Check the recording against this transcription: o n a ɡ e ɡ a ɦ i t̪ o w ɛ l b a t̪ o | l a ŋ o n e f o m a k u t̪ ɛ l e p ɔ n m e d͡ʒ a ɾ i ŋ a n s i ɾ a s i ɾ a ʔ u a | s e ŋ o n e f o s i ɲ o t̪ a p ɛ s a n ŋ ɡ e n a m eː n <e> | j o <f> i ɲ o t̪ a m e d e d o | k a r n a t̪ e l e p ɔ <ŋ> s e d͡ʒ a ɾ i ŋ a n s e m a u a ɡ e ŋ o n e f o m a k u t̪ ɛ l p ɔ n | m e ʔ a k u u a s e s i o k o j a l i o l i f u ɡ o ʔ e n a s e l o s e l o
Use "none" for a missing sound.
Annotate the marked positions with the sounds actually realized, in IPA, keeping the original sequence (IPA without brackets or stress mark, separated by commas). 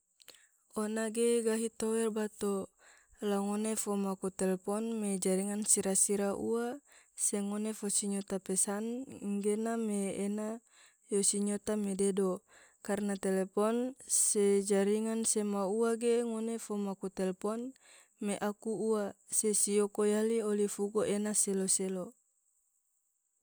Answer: a, s, n